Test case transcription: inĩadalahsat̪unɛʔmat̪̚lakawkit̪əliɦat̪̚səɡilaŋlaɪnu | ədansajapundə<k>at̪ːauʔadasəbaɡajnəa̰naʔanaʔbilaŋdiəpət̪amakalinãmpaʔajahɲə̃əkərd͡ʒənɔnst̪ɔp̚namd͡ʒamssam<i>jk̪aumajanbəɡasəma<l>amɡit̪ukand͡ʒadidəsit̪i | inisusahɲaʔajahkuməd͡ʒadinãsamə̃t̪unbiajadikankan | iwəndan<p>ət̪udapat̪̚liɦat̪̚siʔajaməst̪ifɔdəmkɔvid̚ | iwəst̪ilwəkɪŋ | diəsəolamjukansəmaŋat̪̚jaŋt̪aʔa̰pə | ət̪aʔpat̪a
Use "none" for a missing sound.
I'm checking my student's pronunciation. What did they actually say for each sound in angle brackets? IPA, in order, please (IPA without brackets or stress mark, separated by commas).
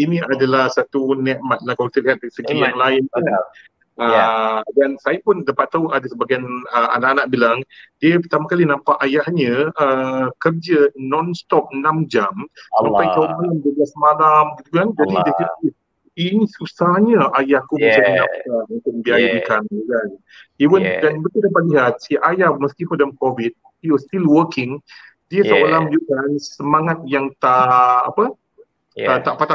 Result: p, a, l, b